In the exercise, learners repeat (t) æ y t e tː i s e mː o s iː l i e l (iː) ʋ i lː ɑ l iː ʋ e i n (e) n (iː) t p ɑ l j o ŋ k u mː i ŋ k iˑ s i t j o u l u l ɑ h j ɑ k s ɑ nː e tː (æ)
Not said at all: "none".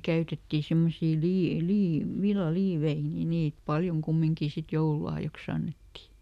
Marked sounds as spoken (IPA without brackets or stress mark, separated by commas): k, iː, i, iː, i